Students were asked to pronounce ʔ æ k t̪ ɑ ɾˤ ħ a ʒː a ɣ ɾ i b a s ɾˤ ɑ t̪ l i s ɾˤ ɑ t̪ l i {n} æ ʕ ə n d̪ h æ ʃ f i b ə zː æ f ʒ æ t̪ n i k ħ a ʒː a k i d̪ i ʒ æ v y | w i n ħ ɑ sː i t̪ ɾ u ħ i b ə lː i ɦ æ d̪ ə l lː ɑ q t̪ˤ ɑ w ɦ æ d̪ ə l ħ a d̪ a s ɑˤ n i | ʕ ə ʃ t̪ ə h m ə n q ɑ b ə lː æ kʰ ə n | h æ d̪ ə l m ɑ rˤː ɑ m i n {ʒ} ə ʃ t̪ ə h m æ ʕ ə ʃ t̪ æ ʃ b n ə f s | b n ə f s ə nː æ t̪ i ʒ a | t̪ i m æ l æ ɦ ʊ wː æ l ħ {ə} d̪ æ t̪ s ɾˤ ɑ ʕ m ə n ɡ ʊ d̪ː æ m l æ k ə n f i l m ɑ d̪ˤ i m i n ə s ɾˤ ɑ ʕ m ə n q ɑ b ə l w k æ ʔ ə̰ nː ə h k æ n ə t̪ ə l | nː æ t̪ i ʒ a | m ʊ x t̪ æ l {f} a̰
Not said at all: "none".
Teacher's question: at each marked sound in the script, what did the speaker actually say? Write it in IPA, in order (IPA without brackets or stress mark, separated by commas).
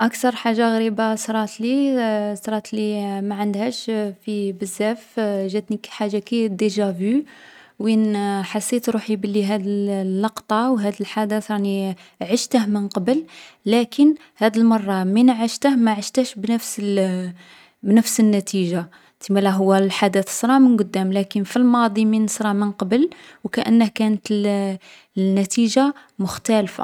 m, ʕ, a, f